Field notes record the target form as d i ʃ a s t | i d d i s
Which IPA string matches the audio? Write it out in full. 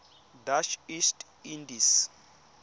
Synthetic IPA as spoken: d a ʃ i s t | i n d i s